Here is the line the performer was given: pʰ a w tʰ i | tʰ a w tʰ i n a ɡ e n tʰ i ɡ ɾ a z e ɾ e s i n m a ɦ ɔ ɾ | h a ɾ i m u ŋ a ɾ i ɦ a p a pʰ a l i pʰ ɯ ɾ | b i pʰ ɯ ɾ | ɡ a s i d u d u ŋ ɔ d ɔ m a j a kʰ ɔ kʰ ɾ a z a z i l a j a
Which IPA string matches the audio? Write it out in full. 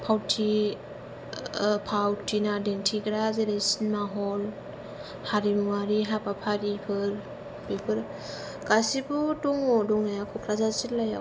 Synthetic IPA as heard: pʰ a w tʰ i | pʰ a w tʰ i n a d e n tʰ i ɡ ɾ a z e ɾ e s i n m a ɦ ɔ l | h a ɾ i m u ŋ a ɾ i ɦ a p a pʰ a ɾ i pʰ ɯ ɾ | b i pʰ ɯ ɾ | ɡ a s i b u d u ŋ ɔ d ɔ ŋ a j a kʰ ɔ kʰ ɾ a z a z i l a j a